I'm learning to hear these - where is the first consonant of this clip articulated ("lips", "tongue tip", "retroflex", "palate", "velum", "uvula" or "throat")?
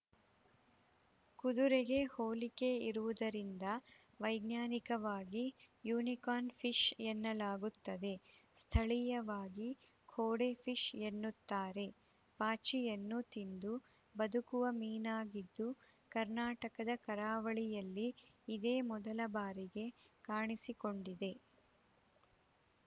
velum